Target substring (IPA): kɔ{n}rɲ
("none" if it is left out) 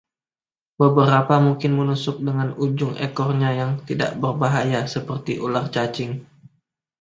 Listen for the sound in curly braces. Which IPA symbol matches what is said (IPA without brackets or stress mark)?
none